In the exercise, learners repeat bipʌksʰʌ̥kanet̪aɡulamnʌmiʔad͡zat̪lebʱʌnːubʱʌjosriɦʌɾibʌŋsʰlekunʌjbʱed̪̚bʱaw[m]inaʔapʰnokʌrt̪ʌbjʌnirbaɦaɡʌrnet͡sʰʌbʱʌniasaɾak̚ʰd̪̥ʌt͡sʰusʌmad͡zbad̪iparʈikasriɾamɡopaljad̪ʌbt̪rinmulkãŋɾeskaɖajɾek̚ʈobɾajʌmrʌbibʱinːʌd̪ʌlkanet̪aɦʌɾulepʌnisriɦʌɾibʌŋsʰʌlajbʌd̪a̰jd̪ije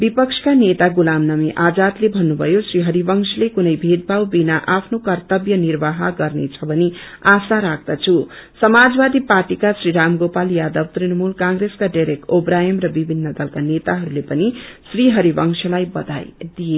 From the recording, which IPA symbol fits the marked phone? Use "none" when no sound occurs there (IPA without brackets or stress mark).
b